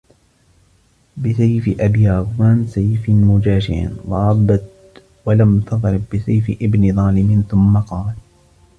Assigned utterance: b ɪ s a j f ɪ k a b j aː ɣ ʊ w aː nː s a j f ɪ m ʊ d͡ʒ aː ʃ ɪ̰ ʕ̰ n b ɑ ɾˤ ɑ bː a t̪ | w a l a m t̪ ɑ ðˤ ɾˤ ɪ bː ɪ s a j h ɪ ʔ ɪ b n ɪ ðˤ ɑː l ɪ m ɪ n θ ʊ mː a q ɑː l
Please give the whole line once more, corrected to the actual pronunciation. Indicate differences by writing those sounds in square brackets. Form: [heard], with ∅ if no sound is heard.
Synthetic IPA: b ɪ s a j f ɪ [ʔ] a b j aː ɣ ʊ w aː [n] s a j f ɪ m ʊ d͡ʒ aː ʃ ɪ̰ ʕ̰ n [w] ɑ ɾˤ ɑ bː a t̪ | w a l a m t̪ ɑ ðˤ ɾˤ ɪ bː ɪ s a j [f] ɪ ʔ ɪ b n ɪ ðˤ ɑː l ɪ m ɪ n θ ʊ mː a q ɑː l